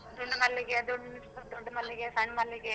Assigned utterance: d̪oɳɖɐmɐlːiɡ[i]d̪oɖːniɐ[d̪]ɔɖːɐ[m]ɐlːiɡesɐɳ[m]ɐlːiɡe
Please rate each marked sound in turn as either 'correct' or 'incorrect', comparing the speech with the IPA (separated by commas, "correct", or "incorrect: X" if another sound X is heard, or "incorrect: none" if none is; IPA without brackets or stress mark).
incorrect: e, correct, correct, correct